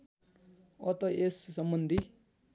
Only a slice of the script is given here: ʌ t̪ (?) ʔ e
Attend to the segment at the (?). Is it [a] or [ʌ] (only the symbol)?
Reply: ʌ